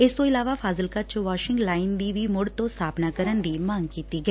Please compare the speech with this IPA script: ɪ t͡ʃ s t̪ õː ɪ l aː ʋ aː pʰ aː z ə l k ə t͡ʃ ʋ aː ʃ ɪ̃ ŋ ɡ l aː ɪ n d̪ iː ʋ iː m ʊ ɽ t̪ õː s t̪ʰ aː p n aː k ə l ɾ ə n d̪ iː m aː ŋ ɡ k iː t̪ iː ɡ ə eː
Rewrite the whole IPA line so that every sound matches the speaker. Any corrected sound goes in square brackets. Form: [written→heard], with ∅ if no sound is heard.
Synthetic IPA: ɪ [t͡ʃ→∅] s t̪ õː ɪ l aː ʋ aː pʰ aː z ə l k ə t͡ʃ ʋ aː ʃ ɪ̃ ŋ ɡ l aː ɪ n d̪ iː ʋ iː m ʊ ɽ t̪ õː s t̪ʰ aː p n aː k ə [l→∅] ɾ ə n d̪ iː m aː ŋ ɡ k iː t̪ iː ɡ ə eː